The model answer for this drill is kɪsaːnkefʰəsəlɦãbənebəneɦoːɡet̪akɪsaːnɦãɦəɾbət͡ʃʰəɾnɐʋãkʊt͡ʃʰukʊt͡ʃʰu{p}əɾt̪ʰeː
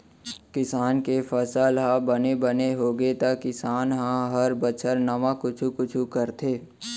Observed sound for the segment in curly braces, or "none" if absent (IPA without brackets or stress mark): k